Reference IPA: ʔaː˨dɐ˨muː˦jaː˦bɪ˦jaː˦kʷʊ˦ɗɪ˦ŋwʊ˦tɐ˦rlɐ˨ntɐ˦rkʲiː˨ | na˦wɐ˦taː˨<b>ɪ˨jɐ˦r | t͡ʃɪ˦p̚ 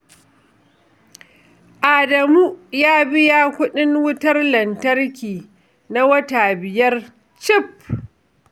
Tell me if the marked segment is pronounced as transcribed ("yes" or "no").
yes